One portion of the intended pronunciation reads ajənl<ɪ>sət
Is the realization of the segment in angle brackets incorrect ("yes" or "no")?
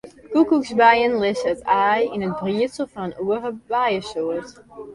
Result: no